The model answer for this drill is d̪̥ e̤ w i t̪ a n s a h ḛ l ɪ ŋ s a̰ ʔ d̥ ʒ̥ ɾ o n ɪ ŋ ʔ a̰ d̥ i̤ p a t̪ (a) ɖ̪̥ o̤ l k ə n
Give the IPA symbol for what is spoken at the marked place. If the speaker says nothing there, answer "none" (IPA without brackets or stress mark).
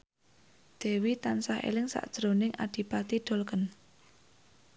i